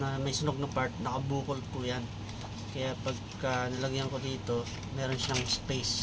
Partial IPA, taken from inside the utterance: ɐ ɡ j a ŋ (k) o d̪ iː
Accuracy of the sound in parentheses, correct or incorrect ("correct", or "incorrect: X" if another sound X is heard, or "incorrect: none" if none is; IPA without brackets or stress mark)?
correct